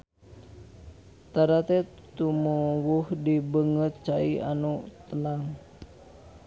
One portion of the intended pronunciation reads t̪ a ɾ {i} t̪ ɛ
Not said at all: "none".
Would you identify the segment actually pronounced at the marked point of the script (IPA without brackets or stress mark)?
a